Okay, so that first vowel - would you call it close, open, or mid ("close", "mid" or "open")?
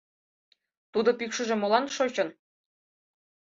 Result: close